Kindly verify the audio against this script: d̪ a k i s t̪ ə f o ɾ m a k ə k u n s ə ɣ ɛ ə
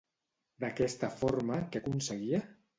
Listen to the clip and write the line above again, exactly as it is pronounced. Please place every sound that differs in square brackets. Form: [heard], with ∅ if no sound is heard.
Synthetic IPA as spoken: d̪ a k [ɛ] s t̪ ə f o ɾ m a k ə k u n s ə ɣ [i] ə